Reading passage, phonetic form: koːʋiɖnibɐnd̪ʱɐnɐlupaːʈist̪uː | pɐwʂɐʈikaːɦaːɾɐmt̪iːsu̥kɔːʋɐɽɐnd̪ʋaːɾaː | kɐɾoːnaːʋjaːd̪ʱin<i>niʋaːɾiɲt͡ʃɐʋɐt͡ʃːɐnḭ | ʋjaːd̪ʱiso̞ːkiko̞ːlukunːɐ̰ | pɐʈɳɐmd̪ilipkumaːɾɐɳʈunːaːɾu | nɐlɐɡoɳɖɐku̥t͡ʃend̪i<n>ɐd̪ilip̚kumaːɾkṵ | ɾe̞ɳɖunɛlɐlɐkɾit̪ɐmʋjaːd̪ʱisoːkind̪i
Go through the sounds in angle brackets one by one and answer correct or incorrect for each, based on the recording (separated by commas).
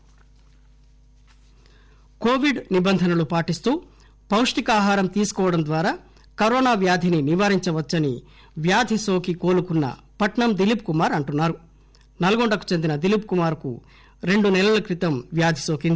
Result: correct, correct